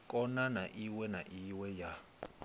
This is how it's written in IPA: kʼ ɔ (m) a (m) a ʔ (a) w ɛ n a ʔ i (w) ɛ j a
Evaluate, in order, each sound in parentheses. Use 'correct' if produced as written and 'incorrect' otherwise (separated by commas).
incorrect, incorrect, incorrect, correct